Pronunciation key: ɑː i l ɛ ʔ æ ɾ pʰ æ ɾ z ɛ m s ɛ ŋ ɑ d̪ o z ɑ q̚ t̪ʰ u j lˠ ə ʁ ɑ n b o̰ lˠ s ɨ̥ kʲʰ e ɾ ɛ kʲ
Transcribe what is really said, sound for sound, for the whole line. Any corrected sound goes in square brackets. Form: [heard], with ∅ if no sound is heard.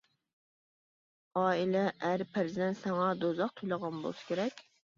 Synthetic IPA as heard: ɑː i l ɛ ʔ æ ɾ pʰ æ ɾ z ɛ [n] s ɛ ŋ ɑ d̪ o z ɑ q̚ t̪ʰ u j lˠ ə ʁ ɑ n b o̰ lˠ s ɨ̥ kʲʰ e ɾ ɛ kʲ